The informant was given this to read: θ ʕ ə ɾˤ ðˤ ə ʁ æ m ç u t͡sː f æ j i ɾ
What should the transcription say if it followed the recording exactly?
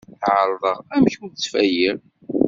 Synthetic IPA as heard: θ ʕ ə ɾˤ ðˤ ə ʁ æ m ç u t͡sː f æ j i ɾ